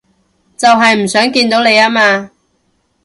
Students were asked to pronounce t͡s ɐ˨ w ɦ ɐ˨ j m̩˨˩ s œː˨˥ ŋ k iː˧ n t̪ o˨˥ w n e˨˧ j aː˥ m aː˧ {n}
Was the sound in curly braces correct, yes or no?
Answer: no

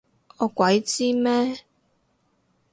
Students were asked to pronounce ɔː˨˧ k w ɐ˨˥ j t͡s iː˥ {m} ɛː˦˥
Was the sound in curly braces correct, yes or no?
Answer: yes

